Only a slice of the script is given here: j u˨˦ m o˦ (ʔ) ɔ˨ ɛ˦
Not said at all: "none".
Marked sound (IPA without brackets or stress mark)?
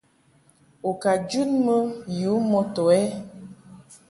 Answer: t